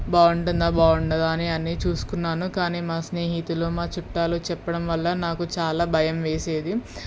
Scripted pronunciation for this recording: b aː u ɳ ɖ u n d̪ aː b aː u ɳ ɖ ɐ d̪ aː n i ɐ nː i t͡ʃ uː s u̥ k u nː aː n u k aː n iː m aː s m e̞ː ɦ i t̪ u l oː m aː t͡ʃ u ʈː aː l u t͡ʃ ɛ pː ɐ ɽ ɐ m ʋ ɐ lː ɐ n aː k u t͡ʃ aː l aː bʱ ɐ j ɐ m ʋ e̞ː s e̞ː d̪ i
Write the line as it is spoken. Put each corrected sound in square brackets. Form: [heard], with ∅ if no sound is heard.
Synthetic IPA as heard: b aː u ɳ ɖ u n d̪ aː b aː u ɳ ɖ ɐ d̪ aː n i ɐ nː i t͡ʃ uː s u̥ k u nː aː n u k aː n iː m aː s [n] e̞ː ɦ i t̪ u l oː m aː t͡ʃ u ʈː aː l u t͡ʃ ɛ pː ɐ ɽ ɐ m ʋ ɐ lː ɐ n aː k u t͡ʃ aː l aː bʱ ɐ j ɐ m ʋ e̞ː s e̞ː d̪ i